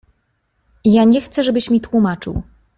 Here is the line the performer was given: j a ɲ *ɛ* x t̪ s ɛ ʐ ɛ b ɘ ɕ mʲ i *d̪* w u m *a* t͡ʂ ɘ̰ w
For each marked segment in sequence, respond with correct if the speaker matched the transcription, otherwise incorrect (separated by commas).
correct, incorrect, correct